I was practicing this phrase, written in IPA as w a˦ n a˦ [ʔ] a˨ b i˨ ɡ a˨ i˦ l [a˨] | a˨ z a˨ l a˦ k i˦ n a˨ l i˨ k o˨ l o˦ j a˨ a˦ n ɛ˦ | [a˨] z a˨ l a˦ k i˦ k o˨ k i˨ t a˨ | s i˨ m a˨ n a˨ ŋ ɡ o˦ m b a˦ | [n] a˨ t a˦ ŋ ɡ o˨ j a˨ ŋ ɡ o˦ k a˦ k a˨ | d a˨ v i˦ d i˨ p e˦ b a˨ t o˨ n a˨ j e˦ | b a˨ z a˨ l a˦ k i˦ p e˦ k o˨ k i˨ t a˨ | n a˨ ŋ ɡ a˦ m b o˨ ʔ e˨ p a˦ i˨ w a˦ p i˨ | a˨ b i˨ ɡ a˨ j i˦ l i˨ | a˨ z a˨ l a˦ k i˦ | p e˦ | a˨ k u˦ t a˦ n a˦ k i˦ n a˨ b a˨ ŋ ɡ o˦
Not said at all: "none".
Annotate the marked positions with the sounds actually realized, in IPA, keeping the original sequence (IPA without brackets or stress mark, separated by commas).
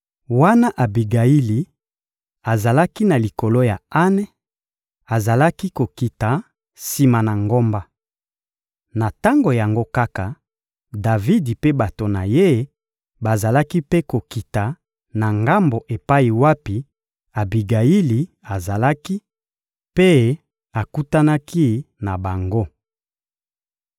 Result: ʔ, i˨, a˨, n